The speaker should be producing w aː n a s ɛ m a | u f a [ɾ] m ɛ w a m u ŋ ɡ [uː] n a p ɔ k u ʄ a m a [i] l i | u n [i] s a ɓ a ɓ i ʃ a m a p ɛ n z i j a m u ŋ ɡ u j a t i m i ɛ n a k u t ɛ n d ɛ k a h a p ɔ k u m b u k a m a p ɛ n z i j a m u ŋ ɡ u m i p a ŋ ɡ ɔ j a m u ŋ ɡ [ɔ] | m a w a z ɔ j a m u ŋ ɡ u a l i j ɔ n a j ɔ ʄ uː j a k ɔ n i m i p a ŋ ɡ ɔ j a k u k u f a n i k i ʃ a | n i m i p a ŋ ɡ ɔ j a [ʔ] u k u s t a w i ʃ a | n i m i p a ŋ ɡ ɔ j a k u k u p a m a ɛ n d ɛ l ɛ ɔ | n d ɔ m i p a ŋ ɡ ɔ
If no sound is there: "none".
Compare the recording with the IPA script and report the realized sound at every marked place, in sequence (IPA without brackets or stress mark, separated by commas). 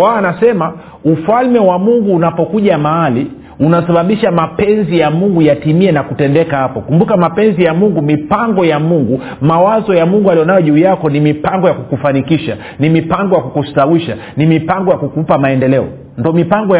l, uː, a, a, u, k